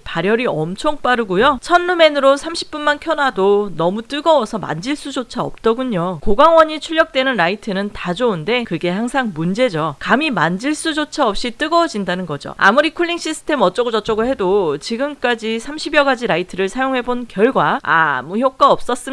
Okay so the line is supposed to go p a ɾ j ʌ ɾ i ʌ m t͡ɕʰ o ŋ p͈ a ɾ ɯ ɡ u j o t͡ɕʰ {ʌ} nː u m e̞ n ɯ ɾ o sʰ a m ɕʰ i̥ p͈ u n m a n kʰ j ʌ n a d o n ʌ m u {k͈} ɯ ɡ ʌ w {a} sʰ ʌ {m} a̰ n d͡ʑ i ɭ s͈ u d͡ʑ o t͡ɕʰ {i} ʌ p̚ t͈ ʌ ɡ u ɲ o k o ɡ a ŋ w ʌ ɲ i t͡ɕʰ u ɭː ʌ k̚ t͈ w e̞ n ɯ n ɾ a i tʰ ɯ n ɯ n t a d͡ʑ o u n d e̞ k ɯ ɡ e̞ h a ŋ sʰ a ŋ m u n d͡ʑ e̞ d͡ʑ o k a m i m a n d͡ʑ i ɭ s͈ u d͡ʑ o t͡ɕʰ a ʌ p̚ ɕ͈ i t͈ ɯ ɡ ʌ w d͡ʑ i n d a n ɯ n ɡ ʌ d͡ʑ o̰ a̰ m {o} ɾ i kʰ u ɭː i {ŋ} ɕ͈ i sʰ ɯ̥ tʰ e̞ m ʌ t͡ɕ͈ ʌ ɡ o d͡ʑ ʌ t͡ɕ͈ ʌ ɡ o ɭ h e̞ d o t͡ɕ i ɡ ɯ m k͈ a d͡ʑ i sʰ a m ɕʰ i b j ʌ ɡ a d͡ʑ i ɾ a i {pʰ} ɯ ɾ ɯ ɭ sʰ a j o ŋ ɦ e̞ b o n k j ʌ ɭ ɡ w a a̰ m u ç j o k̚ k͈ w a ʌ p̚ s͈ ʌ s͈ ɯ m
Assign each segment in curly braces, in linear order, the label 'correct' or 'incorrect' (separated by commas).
correct, incorrect, incorrect, correct, incorrect, incorrect, correct, incorrect